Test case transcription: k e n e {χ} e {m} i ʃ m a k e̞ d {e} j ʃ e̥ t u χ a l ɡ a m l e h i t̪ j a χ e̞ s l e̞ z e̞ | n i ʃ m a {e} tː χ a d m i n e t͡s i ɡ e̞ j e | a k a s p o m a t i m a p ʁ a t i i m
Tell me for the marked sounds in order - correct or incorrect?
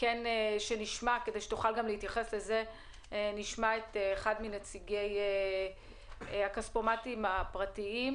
incorrect: ʃ, incorrect: n, correct, correct

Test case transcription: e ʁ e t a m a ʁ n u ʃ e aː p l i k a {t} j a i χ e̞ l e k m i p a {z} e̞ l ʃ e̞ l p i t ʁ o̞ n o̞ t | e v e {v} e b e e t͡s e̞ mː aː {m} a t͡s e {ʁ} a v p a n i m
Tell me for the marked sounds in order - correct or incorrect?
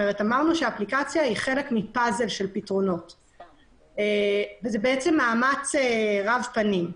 incorrect: t͡s, correct, incorrect: z, correct, correct

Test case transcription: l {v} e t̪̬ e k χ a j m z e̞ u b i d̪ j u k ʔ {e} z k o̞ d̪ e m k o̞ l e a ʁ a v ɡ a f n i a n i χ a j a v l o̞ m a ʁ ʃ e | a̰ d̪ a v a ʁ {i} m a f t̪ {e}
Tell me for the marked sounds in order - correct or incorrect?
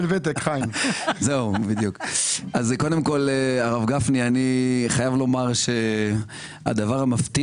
correct, incorrect: a, incorrect: a, incorrect: i

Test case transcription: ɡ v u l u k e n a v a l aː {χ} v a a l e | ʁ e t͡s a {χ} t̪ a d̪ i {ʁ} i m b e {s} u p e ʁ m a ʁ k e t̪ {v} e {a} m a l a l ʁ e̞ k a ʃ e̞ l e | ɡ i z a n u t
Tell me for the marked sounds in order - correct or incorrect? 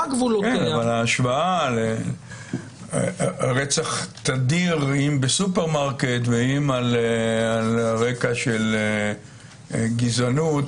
incorrect: ʃ, correct, correct, correct, correct, incorrect: i

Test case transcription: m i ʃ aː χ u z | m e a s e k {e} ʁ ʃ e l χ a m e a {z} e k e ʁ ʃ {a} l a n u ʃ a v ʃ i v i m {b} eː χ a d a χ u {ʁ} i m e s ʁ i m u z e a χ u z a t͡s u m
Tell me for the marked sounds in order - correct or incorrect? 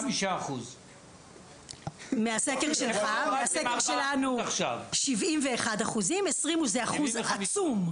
correct, incorrect: s, incorrect: e, incorrect: v, incorrect: z

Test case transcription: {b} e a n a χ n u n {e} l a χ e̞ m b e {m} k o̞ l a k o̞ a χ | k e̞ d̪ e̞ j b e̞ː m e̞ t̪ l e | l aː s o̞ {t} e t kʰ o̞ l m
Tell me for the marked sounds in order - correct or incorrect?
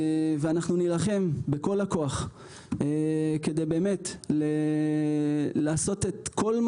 incorrect: v, incorrect: i, incorrect: none, correct

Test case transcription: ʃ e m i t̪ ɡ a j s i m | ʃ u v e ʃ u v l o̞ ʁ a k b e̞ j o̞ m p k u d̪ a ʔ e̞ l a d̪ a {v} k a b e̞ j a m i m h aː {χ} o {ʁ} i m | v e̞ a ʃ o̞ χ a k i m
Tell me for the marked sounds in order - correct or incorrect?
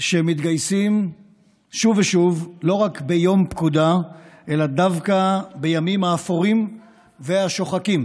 correct, incorrect: f, correct

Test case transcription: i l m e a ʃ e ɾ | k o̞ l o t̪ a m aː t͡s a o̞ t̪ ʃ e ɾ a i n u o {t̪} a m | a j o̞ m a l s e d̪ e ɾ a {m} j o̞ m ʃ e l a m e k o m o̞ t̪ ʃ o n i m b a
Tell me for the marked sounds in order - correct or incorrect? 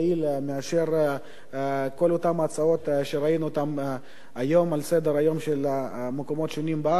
correct, incorrect: none

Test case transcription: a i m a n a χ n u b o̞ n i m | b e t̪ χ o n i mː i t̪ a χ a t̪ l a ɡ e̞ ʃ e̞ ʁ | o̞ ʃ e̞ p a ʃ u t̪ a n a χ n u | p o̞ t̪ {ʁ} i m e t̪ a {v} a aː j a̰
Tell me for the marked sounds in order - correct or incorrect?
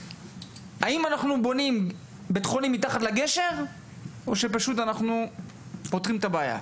correct, incorrect: b

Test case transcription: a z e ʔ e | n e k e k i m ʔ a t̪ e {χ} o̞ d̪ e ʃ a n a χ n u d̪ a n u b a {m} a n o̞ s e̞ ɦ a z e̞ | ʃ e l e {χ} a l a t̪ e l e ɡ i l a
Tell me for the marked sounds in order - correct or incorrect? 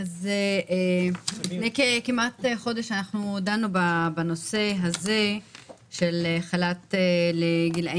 correct, incorrect: b, correct

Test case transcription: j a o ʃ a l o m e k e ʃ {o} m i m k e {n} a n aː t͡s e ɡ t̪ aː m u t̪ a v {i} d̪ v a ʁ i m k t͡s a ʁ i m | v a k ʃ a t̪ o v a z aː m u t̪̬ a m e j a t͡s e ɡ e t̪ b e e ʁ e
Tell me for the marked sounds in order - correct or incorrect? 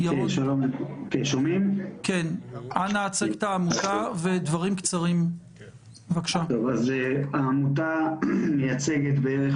correct, correct, incorrect: e

